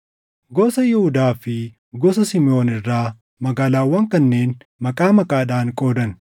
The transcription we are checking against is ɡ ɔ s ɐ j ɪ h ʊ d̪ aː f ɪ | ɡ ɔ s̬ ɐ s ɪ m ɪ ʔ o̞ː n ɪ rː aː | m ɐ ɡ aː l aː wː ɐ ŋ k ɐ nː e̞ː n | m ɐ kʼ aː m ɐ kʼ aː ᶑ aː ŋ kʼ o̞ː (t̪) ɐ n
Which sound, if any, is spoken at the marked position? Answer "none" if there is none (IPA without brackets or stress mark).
d̪